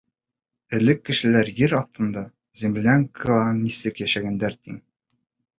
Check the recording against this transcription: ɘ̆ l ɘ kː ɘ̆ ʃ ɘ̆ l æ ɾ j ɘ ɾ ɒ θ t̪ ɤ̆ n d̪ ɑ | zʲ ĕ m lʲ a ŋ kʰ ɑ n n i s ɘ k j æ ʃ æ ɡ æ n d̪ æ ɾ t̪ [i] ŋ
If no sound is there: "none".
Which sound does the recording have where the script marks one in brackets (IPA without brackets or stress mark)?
i